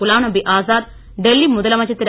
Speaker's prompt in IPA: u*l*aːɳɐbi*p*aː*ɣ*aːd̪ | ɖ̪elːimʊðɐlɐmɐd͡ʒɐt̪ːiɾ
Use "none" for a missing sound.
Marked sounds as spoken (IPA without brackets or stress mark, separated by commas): l, ʔ, z